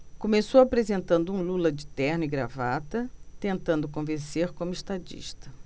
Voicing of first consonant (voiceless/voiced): voiceless